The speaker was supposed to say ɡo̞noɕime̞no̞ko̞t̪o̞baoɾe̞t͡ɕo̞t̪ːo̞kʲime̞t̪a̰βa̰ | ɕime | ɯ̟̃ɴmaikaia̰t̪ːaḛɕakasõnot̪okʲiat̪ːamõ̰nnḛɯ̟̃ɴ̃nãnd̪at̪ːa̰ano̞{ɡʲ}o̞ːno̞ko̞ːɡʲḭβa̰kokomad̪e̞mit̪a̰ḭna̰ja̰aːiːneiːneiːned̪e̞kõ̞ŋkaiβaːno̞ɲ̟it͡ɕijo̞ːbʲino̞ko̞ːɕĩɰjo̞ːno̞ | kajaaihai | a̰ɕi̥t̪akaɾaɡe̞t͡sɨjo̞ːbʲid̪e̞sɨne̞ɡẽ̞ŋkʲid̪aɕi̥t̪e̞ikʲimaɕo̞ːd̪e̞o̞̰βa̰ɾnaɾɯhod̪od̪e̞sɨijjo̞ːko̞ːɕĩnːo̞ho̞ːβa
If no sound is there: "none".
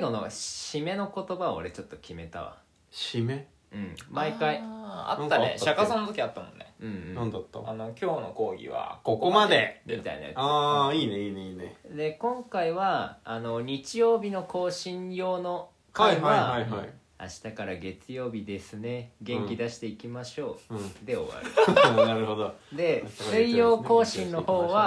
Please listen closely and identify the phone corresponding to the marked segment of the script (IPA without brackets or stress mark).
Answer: kʲ